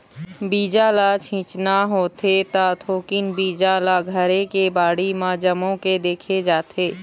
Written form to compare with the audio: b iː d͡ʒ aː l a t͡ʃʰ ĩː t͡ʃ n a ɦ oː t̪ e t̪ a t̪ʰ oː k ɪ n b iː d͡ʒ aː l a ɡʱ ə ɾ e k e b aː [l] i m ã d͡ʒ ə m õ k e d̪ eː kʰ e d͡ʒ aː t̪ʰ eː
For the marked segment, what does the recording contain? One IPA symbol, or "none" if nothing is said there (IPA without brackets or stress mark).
ɽ